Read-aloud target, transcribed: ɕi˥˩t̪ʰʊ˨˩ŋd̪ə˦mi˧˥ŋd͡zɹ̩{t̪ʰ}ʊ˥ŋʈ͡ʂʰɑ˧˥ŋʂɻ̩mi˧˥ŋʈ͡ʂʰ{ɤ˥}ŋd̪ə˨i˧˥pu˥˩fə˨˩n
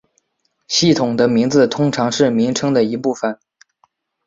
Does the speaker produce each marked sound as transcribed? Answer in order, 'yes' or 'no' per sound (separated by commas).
yes, yes